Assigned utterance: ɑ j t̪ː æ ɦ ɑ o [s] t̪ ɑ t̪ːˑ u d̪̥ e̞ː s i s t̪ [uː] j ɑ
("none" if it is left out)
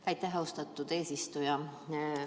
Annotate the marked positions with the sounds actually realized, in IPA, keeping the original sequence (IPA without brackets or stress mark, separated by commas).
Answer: s, u